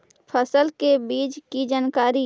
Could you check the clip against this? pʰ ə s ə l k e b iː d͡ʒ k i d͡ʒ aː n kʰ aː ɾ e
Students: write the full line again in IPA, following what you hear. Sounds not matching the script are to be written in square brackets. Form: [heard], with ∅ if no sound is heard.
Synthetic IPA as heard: pʰ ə s ə l k e b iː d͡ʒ k i d͡ʒ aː n [k] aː ɾ [i]

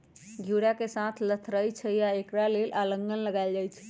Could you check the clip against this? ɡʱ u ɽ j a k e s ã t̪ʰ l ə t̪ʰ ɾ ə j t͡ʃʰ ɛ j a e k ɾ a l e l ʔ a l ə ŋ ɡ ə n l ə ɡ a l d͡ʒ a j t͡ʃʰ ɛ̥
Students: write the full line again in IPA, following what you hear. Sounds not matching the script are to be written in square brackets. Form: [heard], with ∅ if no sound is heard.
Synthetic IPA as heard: ɡʱ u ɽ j a k e s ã t̪ʰ l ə t̪ʰ ɾ ə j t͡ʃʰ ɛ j a e k ɾ a l e l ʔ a l ə ŋ ɡ ə n l ə ɡ a l d͡ʒ a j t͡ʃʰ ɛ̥

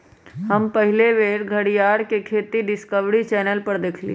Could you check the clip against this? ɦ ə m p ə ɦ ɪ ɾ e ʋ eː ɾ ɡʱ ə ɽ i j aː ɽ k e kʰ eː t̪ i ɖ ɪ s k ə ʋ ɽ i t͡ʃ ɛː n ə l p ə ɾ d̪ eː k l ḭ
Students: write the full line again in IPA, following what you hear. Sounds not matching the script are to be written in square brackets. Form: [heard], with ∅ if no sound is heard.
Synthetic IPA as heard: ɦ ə m p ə ɦ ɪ [l] e ʋ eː ɾ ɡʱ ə ɽ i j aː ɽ k e kʰ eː t̪ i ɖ ɪ s k ə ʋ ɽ i t͡ʃ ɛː n ə l p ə ɾ d̪ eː [kʰ] l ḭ

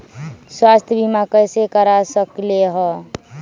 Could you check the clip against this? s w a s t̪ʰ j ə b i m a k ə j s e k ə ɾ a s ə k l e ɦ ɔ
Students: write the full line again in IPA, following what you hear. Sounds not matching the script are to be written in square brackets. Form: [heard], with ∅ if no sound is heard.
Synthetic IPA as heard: s w a s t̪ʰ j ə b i m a k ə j s e k ə ɾ a s ə k l e ɦ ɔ

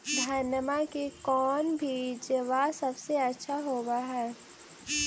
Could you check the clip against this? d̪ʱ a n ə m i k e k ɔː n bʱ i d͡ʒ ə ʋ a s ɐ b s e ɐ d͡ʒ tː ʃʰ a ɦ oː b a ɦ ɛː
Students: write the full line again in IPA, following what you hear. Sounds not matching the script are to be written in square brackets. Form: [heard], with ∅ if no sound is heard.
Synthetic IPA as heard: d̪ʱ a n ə m [a] k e k ɔː n bʱ i d͡ʒ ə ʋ a s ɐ b s e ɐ [∅] tː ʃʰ a ɦ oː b a ɦ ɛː

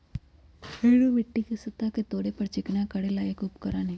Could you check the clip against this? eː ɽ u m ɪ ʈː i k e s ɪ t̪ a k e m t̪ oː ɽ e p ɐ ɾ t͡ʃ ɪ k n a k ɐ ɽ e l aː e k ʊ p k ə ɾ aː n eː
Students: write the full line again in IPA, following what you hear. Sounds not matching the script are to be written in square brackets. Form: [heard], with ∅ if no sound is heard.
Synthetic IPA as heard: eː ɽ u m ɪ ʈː i k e s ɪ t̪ a k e [∅] t̪ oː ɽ e p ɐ ɾ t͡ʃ ɪ k n a k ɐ ɽ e l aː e k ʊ p k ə ɾ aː n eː

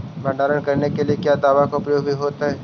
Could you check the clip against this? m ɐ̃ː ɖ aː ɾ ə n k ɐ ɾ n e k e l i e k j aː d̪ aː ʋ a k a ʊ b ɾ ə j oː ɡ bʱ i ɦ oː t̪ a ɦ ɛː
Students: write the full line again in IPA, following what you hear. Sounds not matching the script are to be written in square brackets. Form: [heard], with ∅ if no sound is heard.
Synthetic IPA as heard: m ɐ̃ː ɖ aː ɾ ə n k ɐ ɾ n e k e l i e k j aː d̪ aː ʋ a k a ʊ [p] ɾ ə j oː ɡ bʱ i ɦ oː t̪ a ɦ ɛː

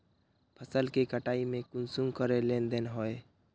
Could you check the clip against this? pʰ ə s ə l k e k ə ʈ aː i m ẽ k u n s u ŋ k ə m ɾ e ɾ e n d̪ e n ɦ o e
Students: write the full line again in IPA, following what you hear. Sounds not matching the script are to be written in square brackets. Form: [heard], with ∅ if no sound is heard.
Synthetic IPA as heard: pʰ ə s ə l k e k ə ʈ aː i m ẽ k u n s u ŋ k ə [∅] ɾ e [l] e n d̪ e n ɦ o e

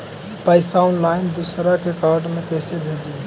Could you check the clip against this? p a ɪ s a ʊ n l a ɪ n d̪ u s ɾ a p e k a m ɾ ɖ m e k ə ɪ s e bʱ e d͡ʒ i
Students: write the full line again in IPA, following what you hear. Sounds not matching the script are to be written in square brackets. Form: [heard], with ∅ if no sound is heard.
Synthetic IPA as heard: p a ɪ s a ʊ n l a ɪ n d̪ u s ɾ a [k] e k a [∅] ɾ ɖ m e k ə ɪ s e bʱ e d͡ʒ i

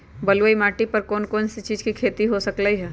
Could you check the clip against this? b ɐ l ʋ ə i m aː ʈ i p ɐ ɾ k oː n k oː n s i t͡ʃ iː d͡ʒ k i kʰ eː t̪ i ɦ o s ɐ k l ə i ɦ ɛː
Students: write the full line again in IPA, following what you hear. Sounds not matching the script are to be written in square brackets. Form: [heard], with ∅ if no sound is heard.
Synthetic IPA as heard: b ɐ l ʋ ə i m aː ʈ i p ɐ ɾ k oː n k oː n s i t͡ʃ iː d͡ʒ k i kʰ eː t̪ i ɦ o s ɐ k l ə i ɦ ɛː

